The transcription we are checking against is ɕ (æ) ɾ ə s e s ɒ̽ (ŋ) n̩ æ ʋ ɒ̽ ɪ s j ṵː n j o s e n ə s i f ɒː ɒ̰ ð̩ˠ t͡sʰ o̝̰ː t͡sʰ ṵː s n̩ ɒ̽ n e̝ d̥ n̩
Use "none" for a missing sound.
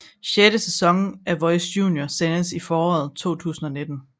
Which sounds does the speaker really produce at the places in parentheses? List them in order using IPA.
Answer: e, ŋ

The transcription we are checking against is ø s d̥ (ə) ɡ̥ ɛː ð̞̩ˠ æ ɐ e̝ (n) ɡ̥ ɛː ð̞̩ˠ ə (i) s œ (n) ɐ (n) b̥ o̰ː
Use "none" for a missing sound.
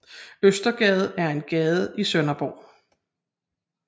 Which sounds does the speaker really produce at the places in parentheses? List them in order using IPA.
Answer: ɐ, n, i, n, none

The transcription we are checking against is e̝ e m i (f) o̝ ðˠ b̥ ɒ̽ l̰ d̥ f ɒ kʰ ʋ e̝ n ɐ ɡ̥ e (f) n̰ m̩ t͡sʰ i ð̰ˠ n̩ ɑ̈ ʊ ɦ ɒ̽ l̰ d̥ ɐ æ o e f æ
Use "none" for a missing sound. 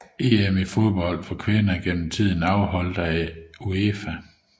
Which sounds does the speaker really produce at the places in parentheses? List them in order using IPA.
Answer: f, none

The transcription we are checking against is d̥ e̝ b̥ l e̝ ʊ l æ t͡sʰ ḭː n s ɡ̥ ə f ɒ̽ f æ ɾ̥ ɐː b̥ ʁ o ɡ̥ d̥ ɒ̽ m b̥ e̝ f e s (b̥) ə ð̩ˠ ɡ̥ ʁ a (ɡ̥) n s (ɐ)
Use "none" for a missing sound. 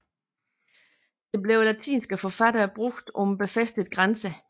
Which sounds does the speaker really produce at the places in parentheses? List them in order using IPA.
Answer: d̥, none, ə

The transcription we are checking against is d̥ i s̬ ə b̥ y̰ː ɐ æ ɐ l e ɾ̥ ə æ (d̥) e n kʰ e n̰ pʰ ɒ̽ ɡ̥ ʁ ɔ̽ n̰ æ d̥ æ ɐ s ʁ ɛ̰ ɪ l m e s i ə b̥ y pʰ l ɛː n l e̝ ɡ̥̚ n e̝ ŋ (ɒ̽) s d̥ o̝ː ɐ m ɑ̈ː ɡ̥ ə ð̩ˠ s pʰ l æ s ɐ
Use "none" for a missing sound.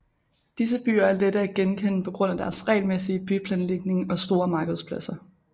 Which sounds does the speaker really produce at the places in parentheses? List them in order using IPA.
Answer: ɡ̥, ɒ̽

